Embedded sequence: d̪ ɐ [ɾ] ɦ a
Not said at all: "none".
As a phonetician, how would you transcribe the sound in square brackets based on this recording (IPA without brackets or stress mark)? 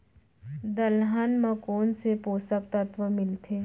l